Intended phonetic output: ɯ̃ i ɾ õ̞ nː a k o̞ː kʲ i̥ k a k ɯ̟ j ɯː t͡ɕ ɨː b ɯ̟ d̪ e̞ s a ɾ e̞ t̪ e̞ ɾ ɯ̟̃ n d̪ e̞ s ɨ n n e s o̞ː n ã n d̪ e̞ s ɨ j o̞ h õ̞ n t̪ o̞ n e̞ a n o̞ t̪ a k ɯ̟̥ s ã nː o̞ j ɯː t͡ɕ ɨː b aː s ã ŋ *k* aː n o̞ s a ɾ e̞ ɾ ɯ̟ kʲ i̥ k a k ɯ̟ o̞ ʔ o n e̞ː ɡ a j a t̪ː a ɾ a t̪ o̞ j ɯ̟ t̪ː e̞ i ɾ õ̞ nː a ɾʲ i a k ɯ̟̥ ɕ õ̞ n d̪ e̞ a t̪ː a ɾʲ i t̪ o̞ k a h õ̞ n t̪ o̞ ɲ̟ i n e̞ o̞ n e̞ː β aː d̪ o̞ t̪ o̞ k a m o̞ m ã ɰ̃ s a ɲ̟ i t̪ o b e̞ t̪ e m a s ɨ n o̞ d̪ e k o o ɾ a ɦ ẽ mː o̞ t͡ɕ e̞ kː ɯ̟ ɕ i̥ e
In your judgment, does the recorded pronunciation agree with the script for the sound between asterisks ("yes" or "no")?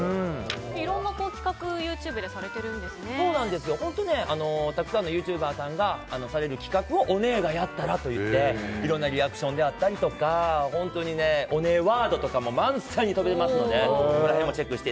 no